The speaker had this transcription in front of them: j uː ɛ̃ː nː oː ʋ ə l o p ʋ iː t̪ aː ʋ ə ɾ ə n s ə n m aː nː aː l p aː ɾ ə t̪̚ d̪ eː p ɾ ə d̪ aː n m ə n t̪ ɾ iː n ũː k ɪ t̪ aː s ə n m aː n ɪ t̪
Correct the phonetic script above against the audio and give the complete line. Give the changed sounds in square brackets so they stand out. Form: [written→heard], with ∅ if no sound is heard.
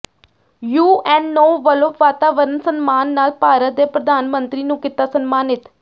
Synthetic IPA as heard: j uː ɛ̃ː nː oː ʋ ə l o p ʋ [iː→aː] t̪ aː ʋ ə ɾ ə n s ə n m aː nː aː l p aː ɾ ə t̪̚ d̪ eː p ɾ ə d̪ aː n m ə n t̪ ɾ iː n ũː k ɪ t̪ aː s ə n m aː n ɪ t̪